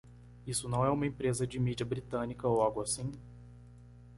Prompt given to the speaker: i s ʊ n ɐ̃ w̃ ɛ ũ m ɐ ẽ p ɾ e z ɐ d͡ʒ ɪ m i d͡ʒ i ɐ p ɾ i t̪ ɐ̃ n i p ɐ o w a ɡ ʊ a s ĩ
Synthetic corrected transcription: i s ʊ n ɐ̃ w̃ ɛ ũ m ɐ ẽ p ɾ e z ɐ d͡ʒ ɪ m i d͡ʒ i ɐ b ɾ i t̪ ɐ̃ n i k ɐ o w a ɡ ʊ a s ĩ